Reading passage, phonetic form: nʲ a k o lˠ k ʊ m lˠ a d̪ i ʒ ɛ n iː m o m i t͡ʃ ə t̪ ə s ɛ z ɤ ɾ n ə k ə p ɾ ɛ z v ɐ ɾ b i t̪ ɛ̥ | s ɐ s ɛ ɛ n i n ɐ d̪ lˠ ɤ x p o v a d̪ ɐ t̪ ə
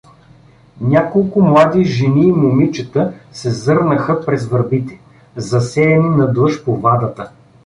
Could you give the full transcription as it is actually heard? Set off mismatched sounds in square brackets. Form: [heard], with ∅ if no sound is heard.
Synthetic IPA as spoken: nʲ a k o lˠ k ʊ m lˠ a d̪ i ʒ ɛ n iː m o m i t͡ʃ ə t̪ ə s ɛ z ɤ ɾ n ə [x] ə p ɾ ɛ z v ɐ ɾ b i t̪ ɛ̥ | [z] ɐ s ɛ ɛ n i n ɐ d̪ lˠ ɤ [ʃ] p o v a d̪ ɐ t̪ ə

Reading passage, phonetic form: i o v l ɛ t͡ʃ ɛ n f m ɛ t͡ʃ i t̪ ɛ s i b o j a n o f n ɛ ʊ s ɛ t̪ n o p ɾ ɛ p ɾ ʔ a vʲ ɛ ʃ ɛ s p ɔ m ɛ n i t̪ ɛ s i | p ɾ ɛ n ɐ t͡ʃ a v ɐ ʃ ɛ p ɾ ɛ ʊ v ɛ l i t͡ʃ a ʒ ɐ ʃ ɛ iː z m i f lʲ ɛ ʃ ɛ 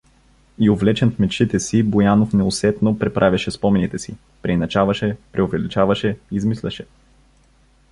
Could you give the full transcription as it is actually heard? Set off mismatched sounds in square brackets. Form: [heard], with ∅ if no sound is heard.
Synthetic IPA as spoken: i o v l ɛ t͡ʃ ɛ n f m ɛ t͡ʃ i t̪ ɛ s i b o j a n o f n ɛ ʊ s ɛ t̪ n o p ɾ ɛ p ɾ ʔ a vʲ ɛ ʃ ɛ s p ɔ m ɛ n i t̪ ɛ s i | p ɾ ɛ n ɐ t͡ʃ a v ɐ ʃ ɛ p ɾ ɛ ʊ v ɛ l i t͡ʃ a [v] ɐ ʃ ɛ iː z m i [s] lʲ ɛ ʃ ɛ

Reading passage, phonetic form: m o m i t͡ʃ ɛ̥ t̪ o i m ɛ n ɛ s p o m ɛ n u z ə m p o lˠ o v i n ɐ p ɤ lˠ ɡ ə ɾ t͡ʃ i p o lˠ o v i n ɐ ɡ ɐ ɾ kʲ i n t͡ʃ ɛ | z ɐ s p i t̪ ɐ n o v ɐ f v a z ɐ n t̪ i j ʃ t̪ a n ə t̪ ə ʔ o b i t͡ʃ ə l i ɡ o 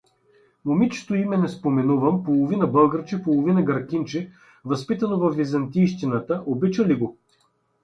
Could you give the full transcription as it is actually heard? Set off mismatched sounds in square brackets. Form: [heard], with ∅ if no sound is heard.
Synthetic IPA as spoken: m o m i t͡ʃ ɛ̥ t̪ o i m ɛ n ɛ s p o m ɛ n u [v] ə m p o lˠ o v i n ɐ [b] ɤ lˠ ɡ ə ɾ t͡ʃ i p o lˠ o v i n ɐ ɡ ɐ ɾ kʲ i n t͡ʃ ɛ | [v] ɐ s p i t̪ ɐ n o v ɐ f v [i] z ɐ n t̪ i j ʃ t̪ [i] n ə t̪ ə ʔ o b i t͡ʃ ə l i ɡ o

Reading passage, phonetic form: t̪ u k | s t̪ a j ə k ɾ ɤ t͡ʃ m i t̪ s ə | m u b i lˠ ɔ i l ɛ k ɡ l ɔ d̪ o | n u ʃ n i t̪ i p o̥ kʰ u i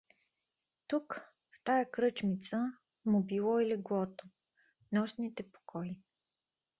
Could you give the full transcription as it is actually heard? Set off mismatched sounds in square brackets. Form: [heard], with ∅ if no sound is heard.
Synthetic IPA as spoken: t̪ u k | [f] t̪ a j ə k ɾ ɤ t͡ʃ m i t̪ s ə | m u b i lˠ ɔ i l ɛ [∅] ɡ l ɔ [t̪] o | n [ɔ] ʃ n i t̪ [ɛ] p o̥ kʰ [ɔ] i

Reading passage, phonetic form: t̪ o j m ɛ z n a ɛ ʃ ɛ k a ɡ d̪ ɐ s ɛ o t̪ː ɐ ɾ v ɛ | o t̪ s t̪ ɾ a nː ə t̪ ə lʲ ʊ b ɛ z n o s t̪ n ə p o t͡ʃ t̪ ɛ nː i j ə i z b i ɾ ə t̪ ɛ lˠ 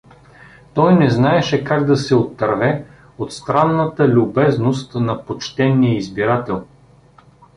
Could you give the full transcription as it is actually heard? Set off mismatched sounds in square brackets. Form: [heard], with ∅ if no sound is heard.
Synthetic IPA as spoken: t̪ [ɔ] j [n] ɛ z n a ɛ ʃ ɛ k a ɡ d̪ ɐ s ɛ o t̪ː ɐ ɾ v ɛ | o t̪ s t̪ ɾ a nː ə t̪ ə lʲ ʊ b ɛ z n o s t̪ n [ɐ] p o t͡ʃ t̪ ɛ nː i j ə i z b i ɾ [a] t̪ ɛ lˠ

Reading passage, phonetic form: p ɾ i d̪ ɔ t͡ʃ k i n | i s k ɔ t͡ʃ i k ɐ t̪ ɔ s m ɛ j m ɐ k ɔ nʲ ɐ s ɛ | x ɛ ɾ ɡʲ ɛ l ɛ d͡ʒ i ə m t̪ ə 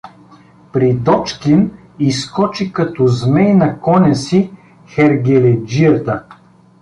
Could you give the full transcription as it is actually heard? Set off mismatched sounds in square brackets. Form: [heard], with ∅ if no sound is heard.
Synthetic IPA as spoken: p ɾ i d̪ ɔ t͡ʃ k i n | i s k ɔ t͡ʃ i k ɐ t̪ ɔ [z] m ɛ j [n] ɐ k ɔ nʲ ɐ s [i] | x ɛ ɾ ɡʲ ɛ l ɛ d͡ʒ i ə [∅] t̪ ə

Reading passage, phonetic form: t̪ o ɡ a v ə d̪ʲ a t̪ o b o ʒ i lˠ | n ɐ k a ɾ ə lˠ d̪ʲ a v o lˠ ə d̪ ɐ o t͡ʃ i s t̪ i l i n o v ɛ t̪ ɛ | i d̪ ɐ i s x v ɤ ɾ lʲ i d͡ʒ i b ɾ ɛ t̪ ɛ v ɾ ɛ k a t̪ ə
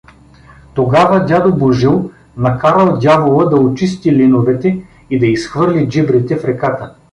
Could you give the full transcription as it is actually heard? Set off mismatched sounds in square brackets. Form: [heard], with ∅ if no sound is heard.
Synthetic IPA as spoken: t̪ o ɡ a v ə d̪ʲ a [d̪] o b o ʒ i lˠ | n ɐ k a ɾ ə lˠ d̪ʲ a v o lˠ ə d̪ ɐ o t͡ʃ i s t̪ i l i n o v ɛ t̪ ɛ | i d̪ ɐ i s x v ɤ ɾ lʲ i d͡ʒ i b ɾ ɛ t̪ ɛ [f] ɾ ɛ k a t̪ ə

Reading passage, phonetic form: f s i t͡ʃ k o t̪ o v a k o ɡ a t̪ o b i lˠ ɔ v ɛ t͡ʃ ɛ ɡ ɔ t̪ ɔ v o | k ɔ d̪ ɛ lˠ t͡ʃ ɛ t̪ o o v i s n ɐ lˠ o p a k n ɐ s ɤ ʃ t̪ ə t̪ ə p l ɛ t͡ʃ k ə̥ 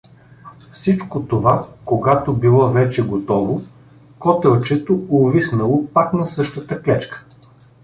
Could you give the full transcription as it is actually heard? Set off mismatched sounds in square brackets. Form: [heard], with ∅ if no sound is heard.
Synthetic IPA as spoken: f s i t͡ʃ k o t̪ o v a k o ɡ a t̪ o b i lˠ ɔ v ɛ t͡ʃ ɛ ɡ [o] t̪ ɔ v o | k ɔ [t̪] ɛ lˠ t͡ʃ ɛ t̪ o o v i s n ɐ lˠ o p a k n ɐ s ɤ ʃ t̪ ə t̪ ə [k] l ɛ t͡ʃ k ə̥

